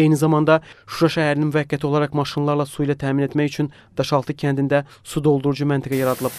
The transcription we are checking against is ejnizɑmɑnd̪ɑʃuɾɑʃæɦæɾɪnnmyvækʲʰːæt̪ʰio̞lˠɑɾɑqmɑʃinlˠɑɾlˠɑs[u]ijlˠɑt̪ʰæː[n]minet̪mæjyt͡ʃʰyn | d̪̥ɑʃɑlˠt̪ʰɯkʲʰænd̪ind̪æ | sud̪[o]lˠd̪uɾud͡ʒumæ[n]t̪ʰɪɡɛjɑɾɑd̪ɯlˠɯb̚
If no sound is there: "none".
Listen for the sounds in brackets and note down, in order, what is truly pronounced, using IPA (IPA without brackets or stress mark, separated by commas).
u, none, o, n